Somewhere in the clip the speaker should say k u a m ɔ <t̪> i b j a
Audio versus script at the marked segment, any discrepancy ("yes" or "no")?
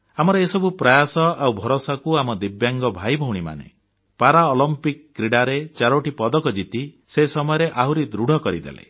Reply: yes